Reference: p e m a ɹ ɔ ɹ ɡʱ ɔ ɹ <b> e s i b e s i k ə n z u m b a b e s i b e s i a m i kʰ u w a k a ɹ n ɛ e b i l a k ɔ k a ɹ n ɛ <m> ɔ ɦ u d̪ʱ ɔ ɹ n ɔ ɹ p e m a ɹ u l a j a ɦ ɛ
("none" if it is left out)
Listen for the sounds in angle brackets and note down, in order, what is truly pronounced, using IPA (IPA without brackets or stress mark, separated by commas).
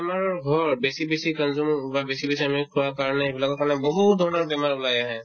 b, b